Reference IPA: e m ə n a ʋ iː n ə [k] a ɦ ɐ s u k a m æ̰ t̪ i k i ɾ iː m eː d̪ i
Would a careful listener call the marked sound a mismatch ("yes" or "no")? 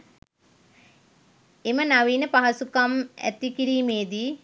yes